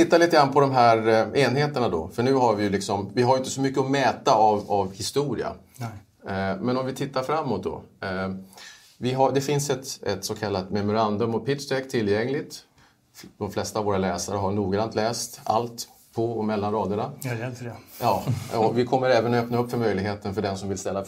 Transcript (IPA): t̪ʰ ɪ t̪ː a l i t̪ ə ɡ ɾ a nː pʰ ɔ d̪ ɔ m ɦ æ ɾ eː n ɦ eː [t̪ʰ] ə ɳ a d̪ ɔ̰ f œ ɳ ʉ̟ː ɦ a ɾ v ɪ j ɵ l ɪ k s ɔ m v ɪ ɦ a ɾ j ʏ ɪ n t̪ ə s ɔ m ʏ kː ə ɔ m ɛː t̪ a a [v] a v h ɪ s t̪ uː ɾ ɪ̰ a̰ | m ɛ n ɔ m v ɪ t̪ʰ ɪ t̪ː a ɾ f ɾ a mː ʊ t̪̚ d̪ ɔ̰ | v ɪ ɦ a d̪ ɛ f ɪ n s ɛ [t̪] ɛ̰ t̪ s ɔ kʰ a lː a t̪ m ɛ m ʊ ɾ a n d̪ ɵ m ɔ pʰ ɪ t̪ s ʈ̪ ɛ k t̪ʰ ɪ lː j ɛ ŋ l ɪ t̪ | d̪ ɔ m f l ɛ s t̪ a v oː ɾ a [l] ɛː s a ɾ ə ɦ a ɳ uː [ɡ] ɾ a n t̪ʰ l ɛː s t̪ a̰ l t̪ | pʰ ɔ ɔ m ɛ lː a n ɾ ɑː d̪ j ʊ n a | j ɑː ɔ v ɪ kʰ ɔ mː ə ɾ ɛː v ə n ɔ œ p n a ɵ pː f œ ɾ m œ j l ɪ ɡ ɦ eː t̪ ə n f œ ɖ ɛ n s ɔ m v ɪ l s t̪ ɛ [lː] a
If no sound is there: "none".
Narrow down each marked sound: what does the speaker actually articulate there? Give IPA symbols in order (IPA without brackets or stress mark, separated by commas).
t̪, v, t̪, l, ɡ, lː